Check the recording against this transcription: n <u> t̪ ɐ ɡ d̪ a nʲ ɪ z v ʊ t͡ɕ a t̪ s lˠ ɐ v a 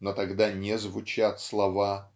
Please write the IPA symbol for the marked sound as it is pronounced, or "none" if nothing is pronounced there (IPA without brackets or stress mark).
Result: o